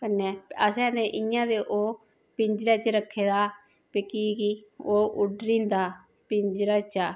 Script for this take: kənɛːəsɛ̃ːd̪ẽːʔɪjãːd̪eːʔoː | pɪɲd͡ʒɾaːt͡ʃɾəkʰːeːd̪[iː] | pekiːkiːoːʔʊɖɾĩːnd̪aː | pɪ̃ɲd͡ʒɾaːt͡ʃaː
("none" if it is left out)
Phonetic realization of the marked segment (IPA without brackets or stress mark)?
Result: aː